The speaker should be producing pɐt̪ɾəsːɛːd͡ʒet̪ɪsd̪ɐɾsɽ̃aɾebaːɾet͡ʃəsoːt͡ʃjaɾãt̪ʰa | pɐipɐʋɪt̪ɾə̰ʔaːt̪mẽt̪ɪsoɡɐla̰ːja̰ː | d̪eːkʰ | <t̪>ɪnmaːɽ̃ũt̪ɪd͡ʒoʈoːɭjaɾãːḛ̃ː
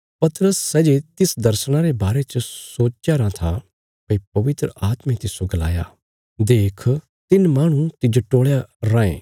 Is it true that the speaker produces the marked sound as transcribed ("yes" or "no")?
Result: yes